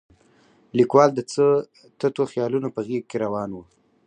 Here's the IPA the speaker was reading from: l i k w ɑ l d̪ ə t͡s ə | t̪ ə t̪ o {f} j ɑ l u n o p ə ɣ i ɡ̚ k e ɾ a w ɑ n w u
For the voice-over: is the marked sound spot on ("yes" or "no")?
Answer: no